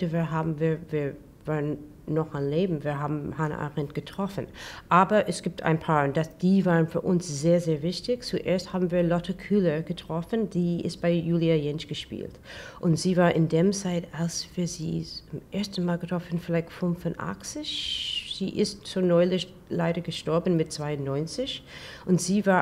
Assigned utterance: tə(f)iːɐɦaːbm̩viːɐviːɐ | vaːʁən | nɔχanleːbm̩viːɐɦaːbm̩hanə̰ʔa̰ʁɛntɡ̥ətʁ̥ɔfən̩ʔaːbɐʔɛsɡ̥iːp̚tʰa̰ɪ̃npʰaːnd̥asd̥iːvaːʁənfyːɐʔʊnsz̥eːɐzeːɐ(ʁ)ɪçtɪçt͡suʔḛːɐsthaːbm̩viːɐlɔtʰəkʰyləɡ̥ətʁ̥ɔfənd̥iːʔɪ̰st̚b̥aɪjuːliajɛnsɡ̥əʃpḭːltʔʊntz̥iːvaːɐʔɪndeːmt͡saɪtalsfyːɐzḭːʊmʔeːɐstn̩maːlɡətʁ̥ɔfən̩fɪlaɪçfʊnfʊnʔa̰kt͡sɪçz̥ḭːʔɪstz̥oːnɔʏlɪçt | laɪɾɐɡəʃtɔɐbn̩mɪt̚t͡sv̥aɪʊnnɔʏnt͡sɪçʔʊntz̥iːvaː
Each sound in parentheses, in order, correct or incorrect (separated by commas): incorrect, incorrect